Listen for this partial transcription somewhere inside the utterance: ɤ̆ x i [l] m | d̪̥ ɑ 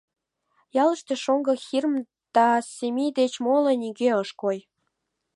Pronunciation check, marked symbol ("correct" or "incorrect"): incorrect